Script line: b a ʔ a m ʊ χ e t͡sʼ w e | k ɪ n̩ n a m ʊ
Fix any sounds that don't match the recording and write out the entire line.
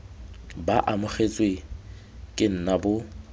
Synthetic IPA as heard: b a ʔ a m ʊ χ e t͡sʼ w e | kʼ ɪ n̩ n a b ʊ